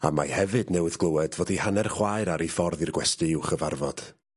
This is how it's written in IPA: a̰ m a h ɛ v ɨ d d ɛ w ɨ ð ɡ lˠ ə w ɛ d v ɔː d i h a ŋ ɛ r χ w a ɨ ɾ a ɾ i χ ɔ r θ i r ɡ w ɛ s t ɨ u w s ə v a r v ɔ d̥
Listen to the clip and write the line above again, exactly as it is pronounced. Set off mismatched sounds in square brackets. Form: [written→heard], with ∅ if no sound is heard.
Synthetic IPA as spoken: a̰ m a h ɛ v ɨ d [d→n] ɛ w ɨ ð ɡ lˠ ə w ɛ d v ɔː d i h a [ŋ→n] ɛ r χ w a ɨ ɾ a ɾ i [χ→f] ɔ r [θ→ð] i r ɡ w ɛ s t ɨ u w [s→χ] ə v a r v ɔ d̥